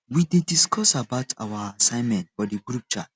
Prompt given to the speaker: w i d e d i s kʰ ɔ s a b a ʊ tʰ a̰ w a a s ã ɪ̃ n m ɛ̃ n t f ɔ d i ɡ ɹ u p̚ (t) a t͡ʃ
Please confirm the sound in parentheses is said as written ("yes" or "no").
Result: no